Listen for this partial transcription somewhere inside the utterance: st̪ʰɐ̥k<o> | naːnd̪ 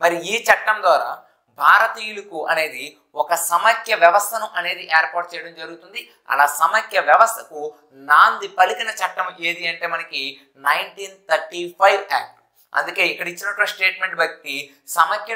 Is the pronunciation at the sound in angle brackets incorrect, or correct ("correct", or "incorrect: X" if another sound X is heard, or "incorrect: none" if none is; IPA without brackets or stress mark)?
incorrect: u